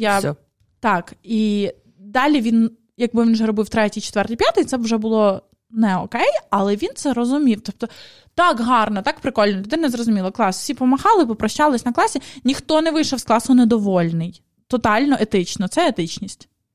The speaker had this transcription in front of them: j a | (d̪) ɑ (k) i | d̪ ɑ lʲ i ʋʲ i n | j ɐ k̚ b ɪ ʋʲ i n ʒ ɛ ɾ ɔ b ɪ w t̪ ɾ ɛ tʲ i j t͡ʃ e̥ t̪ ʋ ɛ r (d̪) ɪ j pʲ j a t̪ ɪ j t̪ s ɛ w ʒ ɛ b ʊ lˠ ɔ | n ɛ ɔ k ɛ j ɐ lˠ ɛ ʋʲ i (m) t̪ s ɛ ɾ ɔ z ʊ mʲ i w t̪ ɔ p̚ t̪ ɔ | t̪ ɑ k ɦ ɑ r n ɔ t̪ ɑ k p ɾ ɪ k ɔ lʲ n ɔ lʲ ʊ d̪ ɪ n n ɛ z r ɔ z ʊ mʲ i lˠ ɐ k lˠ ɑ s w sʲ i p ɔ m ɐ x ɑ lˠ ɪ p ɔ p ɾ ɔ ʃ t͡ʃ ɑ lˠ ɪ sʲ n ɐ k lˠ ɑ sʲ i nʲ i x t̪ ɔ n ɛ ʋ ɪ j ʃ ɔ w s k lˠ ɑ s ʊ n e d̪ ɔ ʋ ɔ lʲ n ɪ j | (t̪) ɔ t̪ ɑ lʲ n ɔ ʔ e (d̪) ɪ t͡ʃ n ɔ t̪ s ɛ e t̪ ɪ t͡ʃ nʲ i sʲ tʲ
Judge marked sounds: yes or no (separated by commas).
no, yes, no, no, yes, no